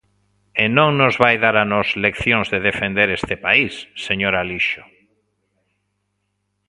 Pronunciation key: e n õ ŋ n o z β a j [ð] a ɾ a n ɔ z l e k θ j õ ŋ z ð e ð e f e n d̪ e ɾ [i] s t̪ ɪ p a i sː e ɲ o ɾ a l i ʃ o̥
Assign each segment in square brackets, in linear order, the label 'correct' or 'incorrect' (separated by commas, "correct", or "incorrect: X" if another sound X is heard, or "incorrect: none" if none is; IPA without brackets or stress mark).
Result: correct, incorrect: e